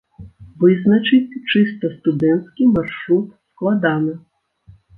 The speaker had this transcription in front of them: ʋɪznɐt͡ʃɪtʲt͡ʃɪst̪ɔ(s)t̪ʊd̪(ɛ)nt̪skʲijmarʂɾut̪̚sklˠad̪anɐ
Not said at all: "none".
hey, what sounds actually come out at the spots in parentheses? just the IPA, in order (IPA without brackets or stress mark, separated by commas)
s, ɛ